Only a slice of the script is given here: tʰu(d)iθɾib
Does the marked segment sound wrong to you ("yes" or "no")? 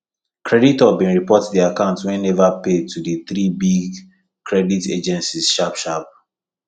no